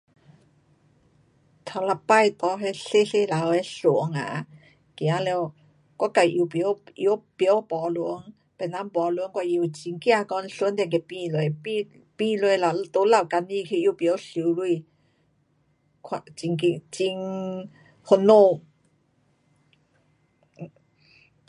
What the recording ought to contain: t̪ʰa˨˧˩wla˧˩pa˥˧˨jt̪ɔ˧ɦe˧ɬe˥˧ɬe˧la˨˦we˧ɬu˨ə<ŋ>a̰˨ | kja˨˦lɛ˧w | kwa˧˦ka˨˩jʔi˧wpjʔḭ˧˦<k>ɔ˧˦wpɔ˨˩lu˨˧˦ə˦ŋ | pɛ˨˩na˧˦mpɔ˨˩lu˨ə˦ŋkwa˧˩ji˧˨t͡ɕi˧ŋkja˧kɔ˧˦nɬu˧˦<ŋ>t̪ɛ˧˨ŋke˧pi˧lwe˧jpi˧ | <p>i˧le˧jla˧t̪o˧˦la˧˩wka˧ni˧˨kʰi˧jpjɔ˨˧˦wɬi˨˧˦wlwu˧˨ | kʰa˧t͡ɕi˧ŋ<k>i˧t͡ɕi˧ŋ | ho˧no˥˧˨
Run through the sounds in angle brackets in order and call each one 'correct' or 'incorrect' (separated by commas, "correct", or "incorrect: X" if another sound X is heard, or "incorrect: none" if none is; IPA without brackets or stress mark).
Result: correct, incorrect: p, incorrect: n, correct, correct